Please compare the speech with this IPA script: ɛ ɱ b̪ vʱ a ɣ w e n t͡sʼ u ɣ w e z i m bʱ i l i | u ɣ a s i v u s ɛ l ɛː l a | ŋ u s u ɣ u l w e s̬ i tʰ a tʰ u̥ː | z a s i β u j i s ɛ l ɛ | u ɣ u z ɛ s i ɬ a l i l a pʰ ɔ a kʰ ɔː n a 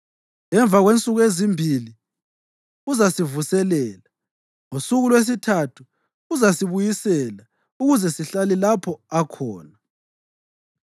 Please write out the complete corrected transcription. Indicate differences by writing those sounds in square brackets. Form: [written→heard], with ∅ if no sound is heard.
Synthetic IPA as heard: ɛ ɱ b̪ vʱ a ɣ w e n t͡sʼ u ɣ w e z i m bʱ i l i | u [ɣ→z] a s i v u s ɛ l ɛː l a | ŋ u s u ɣ u l w e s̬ i tʰ a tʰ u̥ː | z a s i β u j i s ɛ l [ɛ→a] | u ɣ u z ɛ s i ɬ a l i l a pʰ ɔ a kʰ ɔː n a